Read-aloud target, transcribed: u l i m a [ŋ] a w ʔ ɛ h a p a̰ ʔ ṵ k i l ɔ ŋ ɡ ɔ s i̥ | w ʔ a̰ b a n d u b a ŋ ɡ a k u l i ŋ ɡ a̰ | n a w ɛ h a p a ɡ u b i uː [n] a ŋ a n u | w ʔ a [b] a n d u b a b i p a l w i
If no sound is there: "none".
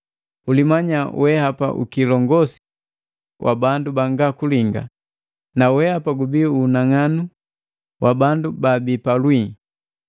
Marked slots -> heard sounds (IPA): ɲ, n, b

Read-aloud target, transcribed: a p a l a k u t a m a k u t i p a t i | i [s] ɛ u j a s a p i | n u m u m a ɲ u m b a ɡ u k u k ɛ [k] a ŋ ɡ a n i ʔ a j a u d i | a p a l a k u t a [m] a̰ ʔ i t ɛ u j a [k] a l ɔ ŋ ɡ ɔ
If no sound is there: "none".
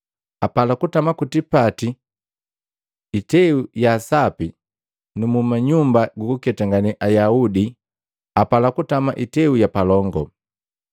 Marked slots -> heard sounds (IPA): t, t, m, p

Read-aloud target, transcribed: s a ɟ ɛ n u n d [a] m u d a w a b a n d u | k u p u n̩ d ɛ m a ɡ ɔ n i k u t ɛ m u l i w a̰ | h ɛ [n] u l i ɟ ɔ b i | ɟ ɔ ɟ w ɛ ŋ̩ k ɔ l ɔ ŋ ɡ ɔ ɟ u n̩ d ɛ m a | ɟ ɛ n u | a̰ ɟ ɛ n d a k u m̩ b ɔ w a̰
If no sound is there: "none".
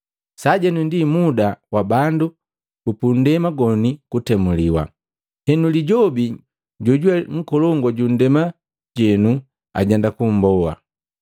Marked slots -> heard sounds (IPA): i, n

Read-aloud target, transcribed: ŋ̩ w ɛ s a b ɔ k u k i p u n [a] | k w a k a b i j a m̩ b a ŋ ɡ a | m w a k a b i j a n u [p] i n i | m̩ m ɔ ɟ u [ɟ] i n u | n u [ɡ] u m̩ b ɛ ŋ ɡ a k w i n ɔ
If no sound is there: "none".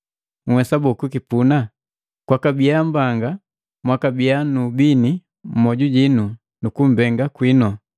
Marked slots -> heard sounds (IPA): a, b, ɟ, k

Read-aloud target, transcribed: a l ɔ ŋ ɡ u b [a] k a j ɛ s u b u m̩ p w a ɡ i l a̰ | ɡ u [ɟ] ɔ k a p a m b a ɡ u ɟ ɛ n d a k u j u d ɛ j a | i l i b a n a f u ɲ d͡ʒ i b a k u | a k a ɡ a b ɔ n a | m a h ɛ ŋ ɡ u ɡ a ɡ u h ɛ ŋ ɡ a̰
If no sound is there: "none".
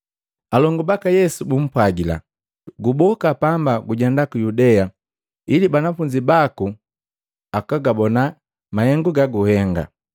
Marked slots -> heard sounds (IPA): a, b

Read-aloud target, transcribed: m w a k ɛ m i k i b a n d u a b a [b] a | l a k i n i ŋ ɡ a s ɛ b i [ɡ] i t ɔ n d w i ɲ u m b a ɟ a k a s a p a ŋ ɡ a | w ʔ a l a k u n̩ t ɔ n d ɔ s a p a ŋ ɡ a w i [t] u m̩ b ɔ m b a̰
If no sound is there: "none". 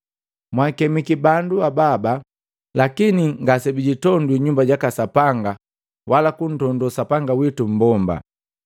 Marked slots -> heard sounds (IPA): b, ɟ, t

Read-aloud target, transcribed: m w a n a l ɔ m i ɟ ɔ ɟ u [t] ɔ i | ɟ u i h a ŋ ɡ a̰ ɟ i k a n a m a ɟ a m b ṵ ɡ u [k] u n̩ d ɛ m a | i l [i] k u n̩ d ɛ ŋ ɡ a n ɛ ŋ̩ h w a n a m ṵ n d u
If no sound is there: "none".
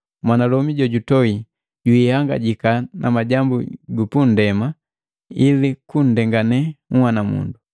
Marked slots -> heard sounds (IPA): t, p, i

